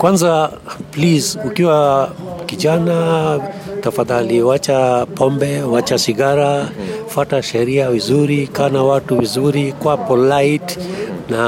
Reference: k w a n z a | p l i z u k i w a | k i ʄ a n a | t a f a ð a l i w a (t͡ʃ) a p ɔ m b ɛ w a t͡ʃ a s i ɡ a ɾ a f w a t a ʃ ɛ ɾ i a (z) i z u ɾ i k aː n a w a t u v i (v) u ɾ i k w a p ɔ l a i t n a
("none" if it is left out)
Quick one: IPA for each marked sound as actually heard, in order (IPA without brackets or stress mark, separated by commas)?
t͡ʃ, v, z